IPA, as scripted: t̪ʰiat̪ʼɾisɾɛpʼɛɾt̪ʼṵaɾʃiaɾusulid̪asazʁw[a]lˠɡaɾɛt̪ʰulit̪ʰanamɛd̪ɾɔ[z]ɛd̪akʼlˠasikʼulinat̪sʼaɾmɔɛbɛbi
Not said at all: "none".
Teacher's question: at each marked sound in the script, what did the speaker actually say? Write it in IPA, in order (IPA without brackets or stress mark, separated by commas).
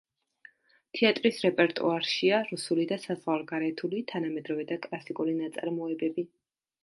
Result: a, v